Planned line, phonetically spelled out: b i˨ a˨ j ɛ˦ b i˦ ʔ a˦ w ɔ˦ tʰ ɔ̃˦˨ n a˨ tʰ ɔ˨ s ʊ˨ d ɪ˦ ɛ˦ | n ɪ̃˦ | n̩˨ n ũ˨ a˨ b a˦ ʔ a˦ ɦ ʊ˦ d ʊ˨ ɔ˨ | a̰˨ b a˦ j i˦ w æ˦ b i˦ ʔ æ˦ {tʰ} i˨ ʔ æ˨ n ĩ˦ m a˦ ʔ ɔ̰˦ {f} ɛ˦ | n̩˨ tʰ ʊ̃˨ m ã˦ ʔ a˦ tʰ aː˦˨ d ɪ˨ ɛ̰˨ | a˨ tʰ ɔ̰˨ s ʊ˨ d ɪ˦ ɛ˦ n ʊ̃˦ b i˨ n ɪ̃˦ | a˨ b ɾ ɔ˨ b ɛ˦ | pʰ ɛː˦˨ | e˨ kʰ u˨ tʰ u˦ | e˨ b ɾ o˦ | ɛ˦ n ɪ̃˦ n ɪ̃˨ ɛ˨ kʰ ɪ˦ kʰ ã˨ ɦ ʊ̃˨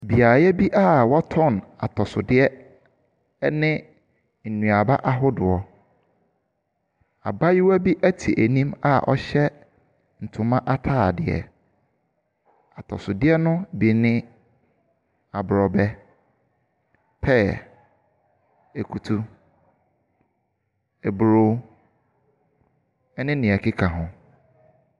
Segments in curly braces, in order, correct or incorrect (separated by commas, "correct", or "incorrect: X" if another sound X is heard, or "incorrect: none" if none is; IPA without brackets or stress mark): correct, incorrect: ɕ